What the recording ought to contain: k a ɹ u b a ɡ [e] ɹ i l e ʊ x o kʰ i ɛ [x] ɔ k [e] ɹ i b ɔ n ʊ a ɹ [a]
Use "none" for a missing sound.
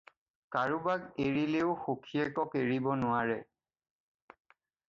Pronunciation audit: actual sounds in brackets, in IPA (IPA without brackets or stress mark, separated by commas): e, k, e, ɛ